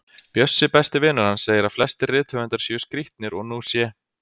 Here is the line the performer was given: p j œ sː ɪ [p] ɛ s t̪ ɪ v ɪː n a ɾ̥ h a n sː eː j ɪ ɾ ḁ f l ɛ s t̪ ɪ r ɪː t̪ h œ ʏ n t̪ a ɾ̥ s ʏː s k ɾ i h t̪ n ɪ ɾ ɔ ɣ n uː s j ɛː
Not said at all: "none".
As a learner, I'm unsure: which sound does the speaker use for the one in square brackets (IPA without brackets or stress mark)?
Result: p